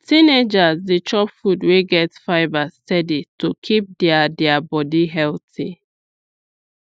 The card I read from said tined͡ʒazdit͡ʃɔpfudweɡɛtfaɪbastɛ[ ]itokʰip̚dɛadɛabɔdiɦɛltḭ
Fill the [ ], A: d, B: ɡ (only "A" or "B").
A